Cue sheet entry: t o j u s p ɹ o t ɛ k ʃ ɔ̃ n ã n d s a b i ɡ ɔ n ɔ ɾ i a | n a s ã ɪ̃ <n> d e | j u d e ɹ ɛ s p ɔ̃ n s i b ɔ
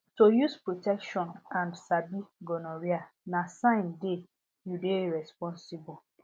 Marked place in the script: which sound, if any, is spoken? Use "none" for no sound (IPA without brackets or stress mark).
n